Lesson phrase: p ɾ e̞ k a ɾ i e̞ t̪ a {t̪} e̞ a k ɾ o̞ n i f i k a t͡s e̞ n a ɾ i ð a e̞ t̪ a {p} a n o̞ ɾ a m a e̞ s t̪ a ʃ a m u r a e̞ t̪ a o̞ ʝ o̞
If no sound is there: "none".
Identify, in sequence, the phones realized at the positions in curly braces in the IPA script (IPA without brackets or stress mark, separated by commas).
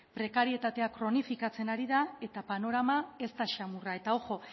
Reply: t̪, p